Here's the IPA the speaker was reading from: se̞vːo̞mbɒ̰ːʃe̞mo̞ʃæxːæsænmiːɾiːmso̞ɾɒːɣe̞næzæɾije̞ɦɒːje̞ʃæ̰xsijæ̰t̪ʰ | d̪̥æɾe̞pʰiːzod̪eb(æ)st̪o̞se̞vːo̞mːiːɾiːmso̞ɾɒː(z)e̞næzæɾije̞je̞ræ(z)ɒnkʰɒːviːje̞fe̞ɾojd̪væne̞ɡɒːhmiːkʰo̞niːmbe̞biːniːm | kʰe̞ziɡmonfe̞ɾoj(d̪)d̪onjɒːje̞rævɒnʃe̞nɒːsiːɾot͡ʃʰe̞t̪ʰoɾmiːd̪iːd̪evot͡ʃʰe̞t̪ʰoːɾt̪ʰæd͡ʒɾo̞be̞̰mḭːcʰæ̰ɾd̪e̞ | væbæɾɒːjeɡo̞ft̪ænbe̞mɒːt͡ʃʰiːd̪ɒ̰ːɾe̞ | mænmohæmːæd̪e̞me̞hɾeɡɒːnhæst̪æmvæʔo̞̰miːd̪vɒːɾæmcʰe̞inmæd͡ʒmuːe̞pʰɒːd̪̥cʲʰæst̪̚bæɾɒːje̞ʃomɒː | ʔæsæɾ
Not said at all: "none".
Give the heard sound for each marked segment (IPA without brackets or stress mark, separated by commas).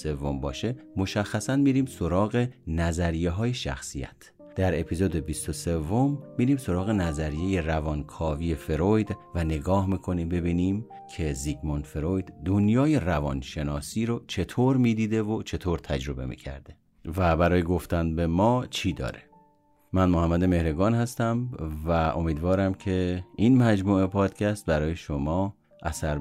i, ɣ, v, d̪